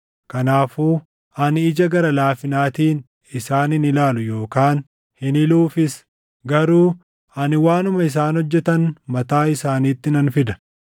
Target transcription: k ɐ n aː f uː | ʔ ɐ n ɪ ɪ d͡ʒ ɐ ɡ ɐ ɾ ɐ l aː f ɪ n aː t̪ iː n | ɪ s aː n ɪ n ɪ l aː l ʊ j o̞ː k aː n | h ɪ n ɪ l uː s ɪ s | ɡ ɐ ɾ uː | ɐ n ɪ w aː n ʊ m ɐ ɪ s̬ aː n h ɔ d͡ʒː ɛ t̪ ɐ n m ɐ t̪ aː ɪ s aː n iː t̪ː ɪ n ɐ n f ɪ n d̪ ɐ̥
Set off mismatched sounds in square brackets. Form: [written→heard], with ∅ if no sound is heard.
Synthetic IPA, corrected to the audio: k ɐ n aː f uː | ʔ ɐ n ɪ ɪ d͡ʒ ɐ ɡ ɐ ɾ ɐ l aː f ɪ n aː t̪ iː n | ɪ s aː n ɪ n ɪ l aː l ʊ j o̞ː k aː n | h ɪ n ɪ l uː [s→f] ɪ s | ɡ ɐ ɾ uː | ɐ n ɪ w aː n ʊ m ɐ ɪ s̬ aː n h ɔ d͡ʒː ɛ t̪ ɐ n m ɐ t̪ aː ɪ s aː n iː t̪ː ɪ n ɐ n f ɪ [n→∅] d̪ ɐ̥